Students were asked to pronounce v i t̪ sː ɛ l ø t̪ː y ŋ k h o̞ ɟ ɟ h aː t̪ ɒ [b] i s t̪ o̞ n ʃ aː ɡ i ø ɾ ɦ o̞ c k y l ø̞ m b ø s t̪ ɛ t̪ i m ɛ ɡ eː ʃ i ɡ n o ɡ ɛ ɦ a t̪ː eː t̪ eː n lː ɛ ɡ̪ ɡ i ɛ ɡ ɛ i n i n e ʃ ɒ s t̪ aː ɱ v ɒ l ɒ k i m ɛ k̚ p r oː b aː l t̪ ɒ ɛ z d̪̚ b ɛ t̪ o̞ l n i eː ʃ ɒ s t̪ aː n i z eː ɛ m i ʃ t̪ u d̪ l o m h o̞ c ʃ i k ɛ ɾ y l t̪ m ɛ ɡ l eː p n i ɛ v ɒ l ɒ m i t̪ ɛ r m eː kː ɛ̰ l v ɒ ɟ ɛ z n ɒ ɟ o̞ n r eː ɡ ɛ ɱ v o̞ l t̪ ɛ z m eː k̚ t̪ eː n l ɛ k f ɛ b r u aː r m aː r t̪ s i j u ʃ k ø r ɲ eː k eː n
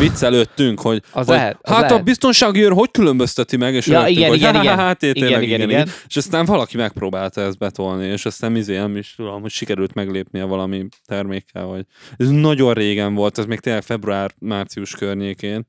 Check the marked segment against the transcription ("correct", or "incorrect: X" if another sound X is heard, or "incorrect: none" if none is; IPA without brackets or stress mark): correct